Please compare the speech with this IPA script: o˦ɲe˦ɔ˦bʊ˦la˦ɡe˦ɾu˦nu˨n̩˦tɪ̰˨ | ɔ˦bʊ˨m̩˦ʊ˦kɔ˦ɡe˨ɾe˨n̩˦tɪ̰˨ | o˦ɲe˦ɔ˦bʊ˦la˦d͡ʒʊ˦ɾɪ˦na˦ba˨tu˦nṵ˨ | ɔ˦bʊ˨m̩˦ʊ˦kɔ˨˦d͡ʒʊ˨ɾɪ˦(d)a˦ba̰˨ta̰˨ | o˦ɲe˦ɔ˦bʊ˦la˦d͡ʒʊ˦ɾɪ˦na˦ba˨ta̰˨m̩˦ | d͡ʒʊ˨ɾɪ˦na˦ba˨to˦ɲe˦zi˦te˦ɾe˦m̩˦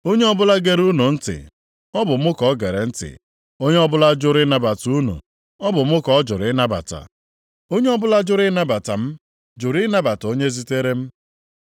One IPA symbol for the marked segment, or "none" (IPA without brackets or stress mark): n